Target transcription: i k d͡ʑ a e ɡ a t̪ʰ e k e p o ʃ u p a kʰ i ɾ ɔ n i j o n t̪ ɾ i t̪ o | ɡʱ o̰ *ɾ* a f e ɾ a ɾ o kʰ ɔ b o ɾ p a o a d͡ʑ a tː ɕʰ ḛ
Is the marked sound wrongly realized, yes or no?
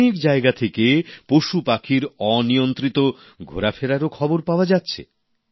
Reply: no